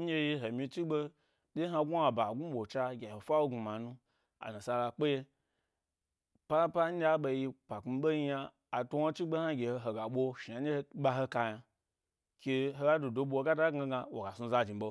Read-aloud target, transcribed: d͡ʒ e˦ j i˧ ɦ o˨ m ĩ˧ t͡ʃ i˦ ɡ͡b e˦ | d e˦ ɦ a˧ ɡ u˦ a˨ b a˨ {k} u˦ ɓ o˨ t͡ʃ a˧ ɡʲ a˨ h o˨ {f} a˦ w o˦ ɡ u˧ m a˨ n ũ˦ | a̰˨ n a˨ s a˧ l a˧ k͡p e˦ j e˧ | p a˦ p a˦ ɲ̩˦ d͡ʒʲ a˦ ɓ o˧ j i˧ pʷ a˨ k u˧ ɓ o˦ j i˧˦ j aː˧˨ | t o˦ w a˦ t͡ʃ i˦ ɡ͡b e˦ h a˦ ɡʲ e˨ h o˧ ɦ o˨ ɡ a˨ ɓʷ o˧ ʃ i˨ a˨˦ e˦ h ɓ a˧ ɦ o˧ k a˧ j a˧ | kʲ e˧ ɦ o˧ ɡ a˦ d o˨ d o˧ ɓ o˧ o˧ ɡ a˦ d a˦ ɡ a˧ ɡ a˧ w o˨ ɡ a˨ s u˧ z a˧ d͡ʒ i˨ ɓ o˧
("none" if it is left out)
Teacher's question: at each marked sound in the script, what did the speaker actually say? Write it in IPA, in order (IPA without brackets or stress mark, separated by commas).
ɡ, f